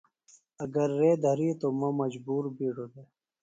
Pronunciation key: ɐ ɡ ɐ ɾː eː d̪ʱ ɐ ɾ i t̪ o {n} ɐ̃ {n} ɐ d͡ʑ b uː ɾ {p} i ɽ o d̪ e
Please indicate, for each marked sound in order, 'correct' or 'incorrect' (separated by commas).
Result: incorrect, incorrect, incorrect